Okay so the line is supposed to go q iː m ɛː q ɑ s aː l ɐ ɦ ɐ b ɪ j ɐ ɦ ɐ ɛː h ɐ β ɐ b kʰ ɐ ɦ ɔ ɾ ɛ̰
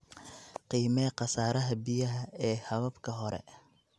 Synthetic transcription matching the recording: q iː m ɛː q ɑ s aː ɾ ɐ ɦ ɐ b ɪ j ɐ ɦ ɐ ɛː h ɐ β ɐ b kʰ ɐ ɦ ɔ ɾ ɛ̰